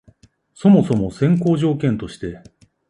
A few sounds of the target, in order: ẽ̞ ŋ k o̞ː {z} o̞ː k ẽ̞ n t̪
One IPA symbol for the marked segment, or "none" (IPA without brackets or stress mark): ʑ